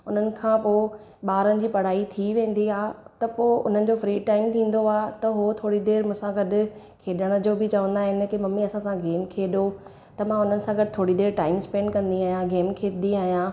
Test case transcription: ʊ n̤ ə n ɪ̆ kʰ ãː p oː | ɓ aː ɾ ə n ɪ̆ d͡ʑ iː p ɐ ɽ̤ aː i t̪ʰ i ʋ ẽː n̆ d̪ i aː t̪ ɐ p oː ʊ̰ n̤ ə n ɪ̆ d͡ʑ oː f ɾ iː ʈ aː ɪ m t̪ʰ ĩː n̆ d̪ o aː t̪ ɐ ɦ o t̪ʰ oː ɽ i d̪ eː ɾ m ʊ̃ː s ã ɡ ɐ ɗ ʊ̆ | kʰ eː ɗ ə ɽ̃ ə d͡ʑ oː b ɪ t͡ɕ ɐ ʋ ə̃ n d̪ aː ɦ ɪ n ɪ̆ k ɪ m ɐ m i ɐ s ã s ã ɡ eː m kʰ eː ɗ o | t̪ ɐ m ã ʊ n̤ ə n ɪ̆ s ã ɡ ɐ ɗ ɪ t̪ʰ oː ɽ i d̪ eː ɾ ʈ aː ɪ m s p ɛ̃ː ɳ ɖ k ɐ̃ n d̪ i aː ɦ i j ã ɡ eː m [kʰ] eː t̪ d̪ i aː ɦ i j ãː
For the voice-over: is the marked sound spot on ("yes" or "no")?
yes